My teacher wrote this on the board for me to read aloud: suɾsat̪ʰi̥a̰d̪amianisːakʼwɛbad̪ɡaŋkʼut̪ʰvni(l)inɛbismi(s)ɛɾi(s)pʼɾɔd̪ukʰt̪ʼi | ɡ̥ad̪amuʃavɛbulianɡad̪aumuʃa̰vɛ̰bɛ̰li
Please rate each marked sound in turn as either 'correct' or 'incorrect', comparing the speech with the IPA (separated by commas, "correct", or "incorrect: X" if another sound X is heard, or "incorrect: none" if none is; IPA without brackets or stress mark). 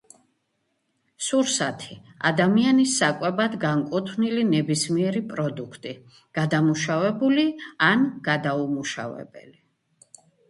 correct, incorrect: none, incorrect: none